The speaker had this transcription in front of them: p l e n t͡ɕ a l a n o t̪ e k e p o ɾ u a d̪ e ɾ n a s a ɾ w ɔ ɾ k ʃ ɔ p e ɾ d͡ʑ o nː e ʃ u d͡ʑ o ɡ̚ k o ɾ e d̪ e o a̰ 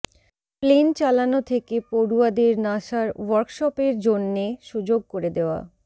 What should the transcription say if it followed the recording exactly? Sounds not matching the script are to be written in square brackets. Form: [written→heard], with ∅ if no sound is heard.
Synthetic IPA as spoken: p l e n t͡ɕ a l a n o [t̪→t̪ʰ] e k e p o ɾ u a d̪ e ɾ n a [s→ʃ] a ɾ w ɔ ɾ k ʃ ɔ p e ɾ d͡ʑ o nː e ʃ u d͡ʑ o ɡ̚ k o ɾ e d̪ e o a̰